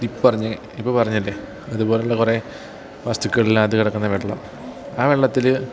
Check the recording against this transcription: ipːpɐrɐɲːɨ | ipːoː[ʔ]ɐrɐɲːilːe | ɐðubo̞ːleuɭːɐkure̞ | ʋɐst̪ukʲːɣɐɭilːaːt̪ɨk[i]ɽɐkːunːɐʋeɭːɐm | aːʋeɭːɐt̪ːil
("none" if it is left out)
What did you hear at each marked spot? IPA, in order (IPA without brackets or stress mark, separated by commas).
p, i